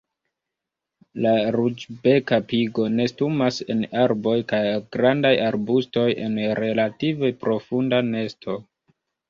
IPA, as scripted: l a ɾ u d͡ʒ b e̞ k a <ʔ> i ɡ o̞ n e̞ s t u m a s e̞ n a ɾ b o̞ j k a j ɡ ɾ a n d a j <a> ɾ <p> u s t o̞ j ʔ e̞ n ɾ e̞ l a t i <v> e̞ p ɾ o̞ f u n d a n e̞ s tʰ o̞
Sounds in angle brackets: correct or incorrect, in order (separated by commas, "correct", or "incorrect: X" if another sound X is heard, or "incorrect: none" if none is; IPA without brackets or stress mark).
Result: incorrect: p, correct, incorrect: b, correct